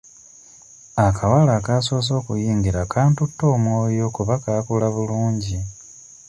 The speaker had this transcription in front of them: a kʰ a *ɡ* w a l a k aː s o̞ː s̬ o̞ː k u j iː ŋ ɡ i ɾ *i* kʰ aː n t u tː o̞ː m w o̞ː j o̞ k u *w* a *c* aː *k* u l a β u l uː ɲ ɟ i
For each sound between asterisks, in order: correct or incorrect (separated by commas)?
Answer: incorrect, incorrect, incorrect, incorrect, correct